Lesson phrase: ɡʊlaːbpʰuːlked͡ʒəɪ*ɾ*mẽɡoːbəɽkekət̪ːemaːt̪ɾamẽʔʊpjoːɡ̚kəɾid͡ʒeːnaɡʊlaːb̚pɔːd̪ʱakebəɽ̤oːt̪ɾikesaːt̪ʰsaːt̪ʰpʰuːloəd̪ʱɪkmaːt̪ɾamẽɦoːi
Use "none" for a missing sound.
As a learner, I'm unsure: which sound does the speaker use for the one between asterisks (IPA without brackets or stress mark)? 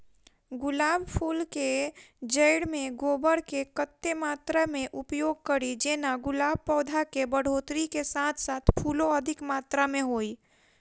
ɽ